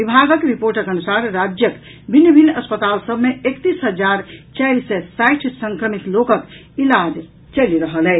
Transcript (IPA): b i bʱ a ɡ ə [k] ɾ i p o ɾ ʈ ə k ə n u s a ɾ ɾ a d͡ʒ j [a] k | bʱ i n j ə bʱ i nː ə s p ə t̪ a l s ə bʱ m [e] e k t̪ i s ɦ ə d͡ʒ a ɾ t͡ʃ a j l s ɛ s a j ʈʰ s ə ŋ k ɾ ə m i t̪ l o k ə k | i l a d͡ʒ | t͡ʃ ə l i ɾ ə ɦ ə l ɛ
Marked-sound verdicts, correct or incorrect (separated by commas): correct, incorrect, correct